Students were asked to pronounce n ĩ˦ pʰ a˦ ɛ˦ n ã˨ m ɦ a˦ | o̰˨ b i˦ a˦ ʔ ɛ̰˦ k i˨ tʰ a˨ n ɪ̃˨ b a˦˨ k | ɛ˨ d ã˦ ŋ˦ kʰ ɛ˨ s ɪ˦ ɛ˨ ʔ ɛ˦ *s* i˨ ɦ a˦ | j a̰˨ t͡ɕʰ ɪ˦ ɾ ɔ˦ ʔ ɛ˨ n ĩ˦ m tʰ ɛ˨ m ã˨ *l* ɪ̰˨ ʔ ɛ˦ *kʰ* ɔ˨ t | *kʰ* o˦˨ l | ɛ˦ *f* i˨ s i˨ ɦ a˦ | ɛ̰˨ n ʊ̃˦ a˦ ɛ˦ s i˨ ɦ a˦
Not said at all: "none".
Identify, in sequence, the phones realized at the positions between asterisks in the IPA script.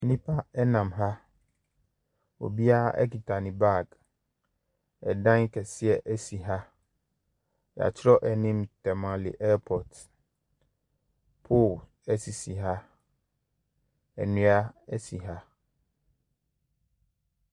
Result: s, l, pʰ, pʰ, s

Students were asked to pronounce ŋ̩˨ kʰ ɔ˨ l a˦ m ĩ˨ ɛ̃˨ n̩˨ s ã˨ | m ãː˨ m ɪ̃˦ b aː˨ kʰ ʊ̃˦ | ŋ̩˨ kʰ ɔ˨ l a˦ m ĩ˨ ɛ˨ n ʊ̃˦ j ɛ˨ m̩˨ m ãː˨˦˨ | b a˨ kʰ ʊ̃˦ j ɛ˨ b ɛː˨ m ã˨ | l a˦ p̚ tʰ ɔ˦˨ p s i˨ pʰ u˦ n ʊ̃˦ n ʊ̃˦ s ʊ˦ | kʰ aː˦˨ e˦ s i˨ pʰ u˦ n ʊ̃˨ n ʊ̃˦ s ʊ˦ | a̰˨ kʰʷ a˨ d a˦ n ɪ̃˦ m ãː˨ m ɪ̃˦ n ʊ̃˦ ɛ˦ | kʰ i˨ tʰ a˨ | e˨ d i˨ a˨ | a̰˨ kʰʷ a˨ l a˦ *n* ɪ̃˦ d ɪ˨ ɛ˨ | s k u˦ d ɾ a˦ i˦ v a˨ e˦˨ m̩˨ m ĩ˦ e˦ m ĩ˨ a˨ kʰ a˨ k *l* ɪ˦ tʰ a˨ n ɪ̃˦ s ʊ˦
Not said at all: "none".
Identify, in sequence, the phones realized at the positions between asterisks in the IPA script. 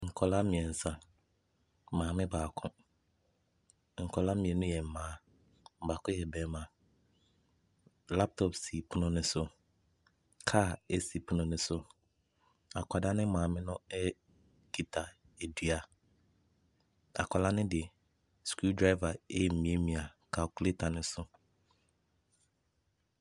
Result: n, l

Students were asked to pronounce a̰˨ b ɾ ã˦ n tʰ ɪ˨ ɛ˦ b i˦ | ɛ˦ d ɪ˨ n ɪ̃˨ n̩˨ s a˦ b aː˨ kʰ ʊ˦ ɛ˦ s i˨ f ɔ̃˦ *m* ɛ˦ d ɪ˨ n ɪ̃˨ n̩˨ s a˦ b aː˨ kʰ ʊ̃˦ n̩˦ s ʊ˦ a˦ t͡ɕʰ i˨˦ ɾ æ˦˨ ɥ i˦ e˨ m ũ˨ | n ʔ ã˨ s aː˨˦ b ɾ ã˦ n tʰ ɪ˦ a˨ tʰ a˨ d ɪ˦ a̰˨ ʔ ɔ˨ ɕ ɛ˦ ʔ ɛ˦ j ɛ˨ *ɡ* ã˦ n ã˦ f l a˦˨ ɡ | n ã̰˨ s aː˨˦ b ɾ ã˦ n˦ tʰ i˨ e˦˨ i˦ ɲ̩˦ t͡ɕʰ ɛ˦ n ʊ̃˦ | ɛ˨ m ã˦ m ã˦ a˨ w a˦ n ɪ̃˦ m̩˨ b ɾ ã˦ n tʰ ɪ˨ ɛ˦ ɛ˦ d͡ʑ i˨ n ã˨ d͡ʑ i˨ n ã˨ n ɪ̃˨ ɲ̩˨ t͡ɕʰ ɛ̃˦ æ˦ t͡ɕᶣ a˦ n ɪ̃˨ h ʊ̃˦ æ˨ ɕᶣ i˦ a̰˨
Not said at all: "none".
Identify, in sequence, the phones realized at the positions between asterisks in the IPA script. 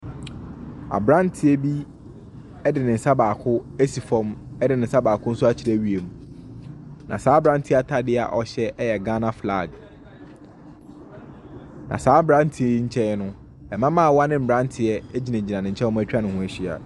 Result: m, ɡ

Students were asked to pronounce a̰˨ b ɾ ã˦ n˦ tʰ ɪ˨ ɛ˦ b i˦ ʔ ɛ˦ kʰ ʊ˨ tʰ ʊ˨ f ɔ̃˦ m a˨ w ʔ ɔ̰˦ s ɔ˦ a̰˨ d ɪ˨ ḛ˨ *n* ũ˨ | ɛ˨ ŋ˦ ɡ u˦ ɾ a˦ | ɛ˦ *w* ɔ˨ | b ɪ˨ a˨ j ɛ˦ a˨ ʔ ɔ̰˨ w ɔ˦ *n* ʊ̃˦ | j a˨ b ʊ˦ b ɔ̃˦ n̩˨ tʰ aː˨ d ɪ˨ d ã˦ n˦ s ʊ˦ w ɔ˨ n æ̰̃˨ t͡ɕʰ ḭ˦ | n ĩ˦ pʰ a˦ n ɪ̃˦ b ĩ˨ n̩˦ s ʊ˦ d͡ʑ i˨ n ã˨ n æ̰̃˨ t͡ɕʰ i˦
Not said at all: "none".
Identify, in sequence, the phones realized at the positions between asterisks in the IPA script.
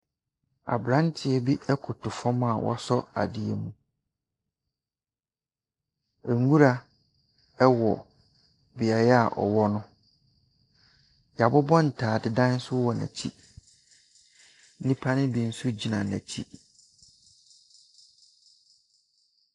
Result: m, w, n

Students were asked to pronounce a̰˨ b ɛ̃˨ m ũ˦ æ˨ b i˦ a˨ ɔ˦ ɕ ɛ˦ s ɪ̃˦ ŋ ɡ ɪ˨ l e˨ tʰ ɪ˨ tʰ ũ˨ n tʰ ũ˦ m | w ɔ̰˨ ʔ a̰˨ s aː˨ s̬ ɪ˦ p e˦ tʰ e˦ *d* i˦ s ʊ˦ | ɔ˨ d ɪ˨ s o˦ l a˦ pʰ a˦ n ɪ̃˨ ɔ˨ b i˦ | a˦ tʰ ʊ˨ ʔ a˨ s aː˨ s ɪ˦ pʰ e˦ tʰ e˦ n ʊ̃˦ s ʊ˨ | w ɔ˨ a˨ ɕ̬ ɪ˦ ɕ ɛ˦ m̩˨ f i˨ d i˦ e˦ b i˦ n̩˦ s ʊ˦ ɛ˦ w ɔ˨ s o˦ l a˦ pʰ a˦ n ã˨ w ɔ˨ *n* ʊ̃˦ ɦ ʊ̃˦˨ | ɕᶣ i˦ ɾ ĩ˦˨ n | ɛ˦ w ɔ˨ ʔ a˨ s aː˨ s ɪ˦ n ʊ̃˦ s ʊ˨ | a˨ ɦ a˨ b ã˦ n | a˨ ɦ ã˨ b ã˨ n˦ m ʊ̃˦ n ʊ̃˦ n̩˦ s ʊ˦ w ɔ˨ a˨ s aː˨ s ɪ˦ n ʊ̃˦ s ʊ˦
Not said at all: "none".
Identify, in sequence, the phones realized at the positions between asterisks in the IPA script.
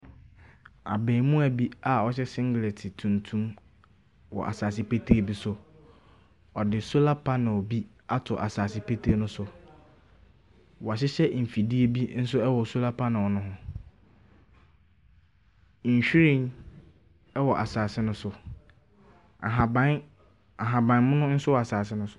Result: b, n

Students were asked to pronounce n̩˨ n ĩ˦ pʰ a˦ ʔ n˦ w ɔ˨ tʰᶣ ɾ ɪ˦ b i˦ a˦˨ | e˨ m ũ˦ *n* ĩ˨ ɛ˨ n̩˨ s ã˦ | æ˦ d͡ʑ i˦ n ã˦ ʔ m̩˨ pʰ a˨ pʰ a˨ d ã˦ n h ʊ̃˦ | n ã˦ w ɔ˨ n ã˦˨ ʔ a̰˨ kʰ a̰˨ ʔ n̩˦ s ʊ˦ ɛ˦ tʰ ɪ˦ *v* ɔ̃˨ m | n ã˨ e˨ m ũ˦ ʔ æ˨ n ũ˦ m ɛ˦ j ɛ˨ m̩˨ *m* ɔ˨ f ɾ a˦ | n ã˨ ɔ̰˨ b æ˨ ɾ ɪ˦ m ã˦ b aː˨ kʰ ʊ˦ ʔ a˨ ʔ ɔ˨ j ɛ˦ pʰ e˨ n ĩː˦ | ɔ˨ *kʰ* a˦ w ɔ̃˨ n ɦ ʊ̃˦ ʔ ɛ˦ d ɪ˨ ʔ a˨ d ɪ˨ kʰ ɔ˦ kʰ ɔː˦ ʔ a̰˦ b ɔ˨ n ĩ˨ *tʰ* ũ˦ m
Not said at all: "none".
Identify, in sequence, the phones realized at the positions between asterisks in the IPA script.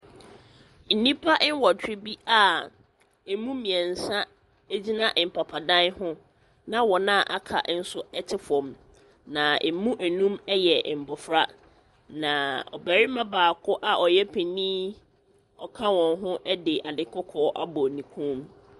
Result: m, f, b, kʰ, kʰ

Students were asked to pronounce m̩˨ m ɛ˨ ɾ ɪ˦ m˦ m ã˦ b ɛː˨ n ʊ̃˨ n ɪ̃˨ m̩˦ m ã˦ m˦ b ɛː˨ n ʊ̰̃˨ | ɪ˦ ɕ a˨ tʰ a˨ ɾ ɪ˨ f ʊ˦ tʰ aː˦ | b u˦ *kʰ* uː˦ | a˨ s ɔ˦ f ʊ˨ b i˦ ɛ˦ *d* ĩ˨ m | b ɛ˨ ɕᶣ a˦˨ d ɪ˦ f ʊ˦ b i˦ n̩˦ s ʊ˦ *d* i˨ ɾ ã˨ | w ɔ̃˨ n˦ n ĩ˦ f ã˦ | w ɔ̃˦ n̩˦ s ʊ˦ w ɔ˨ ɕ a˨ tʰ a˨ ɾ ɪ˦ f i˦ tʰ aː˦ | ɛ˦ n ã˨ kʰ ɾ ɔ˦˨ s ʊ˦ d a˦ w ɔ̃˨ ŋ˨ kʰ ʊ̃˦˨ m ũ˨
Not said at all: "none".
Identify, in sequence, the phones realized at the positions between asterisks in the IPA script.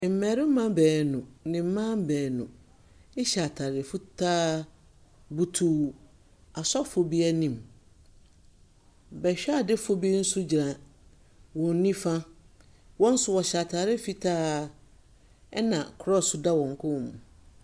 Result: tʰ, n, d͡ʑ

